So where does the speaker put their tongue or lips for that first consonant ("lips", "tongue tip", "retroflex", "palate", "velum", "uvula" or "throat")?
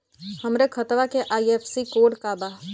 throat